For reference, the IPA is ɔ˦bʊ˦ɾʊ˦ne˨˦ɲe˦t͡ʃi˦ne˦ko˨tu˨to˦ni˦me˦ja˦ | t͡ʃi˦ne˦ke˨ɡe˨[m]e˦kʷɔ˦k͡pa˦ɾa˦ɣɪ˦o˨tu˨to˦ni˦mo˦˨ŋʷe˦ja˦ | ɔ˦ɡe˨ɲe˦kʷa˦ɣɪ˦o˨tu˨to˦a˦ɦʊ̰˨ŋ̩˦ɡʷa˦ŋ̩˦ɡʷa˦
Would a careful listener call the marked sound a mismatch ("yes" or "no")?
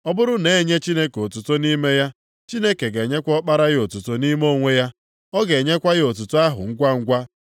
yes